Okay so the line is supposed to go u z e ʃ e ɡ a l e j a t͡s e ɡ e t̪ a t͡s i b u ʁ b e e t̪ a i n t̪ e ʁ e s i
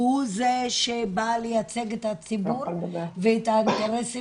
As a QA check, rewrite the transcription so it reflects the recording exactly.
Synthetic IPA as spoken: u z e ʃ e b a l e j a t͡s e ɡ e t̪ a t͡s i b u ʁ v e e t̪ a i n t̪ e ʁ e s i